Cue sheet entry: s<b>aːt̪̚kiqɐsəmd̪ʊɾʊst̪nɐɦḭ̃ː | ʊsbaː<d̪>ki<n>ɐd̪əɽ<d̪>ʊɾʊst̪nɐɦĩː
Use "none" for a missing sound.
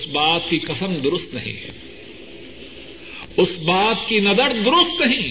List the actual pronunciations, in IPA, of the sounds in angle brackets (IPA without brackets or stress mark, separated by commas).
b, t̪, n, d̪